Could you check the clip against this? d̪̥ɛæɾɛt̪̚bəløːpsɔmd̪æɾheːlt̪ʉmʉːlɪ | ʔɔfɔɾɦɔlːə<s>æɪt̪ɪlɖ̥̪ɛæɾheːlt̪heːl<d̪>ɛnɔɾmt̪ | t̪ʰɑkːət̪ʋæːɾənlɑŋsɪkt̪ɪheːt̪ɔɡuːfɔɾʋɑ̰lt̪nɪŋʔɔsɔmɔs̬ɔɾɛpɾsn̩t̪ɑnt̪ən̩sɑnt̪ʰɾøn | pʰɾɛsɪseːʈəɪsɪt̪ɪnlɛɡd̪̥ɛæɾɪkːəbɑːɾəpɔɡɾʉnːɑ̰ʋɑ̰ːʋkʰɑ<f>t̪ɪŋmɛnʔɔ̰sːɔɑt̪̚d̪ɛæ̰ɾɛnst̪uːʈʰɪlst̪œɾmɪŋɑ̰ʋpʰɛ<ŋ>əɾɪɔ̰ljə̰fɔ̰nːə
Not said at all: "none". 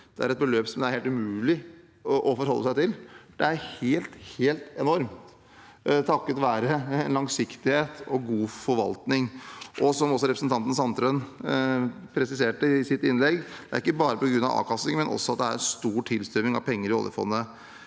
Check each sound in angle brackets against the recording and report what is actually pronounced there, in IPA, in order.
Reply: s, t̪, s, ŋː

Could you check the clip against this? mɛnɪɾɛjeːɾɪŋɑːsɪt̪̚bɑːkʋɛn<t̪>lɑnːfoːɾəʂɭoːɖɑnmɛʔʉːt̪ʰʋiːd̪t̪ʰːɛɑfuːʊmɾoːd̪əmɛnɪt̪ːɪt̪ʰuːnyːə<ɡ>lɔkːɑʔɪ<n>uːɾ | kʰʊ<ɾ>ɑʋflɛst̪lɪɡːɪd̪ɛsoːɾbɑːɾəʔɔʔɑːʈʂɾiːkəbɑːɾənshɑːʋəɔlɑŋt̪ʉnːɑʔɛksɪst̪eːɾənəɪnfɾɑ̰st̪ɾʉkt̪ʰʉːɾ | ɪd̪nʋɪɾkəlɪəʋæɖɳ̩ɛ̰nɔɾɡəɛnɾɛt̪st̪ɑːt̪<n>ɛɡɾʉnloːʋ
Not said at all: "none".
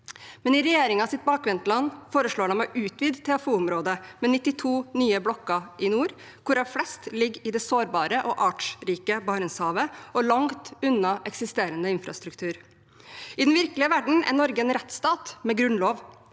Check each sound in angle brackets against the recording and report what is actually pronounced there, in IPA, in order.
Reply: t̪, b, n, ɾ, m

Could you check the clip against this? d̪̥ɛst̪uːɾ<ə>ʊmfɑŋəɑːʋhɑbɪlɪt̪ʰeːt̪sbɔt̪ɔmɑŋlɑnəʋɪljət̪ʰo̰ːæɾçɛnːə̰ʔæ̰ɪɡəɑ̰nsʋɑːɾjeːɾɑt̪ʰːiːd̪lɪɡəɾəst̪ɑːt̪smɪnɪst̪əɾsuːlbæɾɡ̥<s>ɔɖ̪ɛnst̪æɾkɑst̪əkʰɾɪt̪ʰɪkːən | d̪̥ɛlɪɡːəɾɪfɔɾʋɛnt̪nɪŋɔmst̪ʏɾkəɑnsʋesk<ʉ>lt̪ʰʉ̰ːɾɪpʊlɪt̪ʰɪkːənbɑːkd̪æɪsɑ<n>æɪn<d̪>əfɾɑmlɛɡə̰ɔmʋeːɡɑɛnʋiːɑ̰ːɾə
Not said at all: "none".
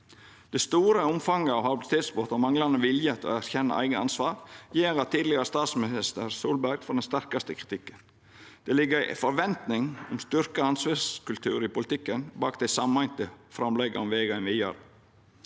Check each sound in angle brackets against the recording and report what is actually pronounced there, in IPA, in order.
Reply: ə, f, ʉ, m, t̪

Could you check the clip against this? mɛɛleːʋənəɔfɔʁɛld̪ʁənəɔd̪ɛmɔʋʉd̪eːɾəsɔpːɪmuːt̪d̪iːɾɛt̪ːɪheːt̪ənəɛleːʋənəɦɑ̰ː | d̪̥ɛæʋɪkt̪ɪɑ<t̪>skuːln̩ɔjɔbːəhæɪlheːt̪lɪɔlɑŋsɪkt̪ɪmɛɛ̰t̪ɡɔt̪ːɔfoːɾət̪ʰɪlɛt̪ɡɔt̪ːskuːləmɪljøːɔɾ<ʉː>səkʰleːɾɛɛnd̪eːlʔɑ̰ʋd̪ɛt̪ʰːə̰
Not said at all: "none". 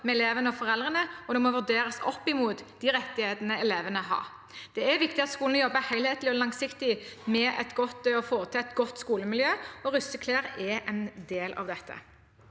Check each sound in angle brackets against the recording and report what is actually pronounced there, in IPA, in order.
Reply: t̪, ʉ

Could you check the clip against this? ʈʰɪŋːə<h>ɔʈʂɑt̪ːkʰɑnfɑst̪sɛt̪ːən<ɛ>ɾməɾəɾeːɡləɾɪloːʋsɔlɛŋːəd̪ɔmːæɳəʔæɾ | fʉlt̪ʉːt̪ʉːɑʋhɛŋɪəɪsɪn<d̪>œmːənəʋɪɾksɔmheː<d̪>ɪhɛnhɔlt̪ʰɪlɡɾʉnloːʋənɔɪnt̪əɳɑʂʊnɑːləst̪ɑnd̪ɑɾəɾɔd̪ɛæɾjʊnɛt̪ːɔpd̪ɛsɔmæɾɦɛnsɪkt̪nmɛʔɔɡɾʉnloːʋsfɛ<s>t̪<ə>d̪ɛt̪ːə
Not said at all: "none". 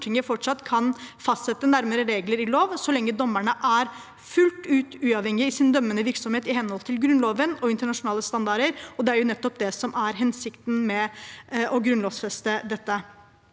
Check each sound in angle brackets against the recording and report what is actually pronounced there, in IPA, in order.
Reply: f, æ, d̪, t̪, s, ə

